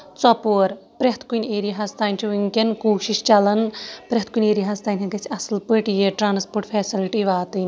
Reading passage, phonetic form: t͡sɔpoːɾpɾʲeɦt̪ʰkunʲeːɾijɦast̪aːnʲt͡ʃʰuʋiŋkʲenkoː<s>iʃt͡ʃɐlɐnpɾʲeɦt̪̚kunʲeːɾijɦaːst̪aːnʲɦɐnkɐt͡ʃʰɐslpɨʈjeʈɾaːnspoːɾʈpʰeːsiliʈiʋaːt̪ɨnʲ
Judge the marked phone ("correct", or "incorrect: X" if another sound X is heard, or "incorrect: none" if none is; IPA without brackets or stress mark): incorrect: ʃ